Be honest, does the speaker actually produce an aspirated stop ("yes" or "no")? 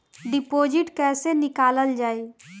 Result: no